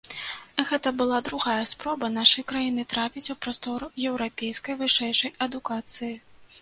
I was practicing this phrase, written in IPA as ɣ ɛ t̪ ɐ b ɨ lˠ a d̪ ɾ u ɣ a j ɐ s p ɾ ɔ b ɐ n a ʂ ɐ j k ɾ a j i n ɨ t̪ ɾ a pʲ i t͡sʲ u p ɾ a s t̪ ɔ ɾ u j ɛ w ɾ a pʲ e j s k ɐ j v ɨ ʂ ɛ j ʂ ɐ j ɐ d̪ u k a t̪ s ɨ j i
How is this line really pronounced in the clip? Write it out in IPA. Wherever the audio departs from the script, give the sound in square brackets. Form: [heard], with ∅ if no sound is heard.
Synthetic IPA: ɣ ɛ t̪ ɐ b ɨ lˠ a d̪ ɾ u ɣ a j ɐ s p ɾ ɔ b ɐ n a ʂ ɐ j k ɾ a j i n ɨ t̪ ɾ a pʲ i t͡sʲ u p ɾ a s t̪ ɔ ɾ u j ɛ w ɾ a pʲ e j s k ɐ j v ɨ ʂ ɛ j ʂ ɐ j ɐ d̪ u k a t̪ s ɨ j i